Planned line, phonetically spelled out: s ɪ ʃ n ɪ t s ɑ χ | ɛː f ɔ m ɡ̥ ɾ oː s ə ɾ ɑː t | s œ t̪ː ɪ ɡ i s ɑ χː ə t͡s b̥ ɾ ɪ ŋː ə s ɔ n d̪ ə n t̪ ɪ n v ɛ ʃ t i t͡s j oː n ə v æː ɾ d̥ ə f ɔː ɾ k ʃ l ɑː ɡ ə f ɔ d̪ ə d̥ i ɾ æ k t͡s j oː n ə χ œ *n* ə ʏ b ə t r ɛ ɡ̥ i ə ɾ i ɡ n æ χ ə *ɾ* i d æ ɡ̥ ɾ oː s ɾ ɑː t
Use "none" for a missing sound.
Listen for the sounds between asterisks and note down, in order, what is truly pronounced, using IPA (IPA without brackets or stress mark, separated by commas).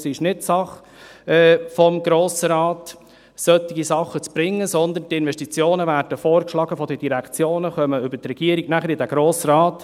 m, ɾ